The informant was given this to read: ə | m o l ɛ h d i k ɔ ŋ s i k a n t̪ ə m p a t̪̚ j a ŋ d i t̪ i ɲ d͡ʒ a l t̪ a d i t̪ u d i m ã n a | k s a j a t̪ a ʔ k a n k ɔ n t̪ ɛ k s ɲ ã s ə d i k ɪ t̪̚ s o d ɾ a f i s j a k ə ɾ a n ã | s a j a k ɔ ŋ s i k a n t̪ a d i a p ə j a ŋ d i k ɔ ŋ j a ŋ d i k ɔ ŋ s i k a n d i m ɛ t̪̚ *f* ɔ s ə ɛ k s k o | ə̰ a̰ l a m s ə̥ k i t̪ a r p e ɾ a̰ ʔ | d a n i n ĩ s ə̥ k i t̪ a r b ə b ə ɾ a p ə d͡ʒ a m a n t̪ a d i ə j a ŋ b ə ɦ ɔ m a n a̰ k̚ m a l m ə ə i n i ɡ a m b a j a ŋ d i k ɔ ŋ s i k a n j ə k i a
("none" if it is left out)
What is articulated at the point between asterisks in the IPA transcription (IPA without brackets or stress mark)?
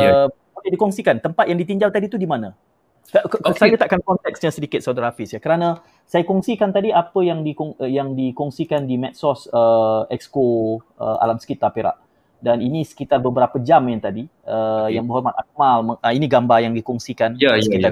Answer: s